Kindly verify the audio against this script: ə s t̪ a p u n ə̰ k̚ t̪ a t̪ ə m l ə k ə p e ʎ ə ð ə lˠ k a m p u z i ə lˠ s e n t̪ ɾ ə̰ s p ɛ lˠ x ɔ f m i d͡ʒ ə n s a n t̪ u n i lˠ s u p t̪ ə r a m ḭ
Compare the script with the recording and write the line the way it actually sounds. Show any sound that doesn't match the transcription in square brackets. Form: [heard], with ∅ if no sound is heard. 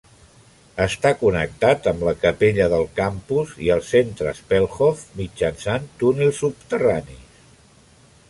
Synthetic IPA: ə s t̪ a [k] u n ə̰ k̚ t̪ a t̪ ə m l ə k ə p e ʎ ə ð ə lˠ k a m p u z i ə lˠ s e n t̪ ɾ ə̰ s p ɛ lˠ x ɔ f m i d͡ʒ ə n s a n t̪ u n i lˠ s u p t̪ ə r a [n] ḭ